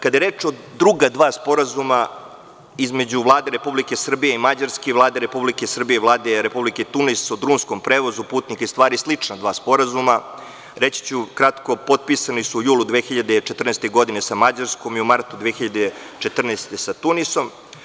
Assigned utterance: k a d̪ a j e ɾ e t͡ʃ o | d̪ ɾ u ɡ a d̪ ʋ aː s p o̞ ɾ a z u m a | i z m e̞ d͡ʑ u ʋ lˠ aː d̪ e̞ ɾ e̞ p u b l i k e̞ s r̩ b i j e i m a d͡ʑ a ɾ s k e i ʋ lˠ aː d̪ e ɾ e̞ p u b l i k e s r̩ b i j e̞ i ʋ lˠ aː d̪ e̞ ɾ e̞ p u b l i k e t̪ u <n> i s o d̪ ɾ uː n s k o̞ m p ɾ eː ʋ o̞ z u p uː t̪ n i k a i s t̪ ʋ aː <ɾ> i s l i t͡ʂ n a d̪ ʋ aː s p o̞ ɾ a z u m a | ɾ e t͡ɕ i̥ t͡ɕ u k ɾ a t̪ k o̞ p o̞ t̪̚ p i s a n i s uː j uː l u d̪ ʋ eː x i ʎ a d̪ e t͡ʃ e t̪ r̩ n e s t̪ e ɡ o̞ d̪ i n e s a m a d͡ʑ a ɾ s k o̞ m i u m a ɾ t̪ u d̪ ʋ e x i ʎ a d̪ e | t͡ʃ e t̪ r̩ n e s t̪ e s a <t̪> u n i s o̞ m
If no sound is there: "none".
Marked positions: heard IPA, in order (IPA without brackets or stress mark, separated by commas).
n, ɾ, t̪